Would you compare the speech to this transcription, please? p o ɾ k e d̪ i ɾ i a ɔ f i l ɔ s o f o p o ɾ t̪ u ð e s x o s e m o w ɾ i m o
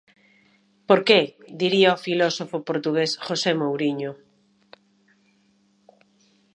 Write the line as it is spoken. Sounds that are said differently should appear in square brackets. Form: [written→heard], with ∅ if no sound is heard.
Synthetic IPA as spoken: p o ɾ k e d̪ i ɾ i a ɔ f i l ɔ s o f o p o ɾ t̪ u [ð→ɣ] e s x o s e m o w ɾ i [m→ɲ] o